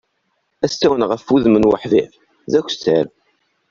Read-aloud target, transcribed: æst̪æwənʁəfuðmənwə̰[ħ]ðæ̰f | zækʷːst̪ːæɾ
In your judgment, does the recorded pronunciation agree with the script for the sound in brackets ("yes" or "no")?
yes